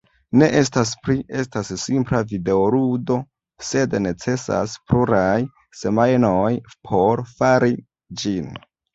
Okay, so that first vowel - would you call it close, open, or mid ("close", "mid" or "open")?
mid